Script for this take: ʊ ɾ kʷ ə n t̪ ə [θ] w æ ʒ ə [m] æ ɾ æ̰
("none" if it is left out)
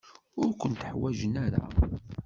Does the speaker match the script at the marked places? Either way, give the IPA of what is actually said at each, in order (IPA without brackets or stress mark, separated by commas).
ħ, n